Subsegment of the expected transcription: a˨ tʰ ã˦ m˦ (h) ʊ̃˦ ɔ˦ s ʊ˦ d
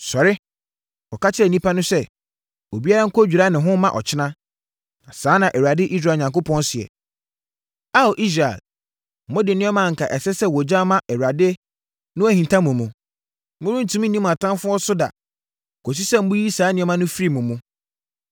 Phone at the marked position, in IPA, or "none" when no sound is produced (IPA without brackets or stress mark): f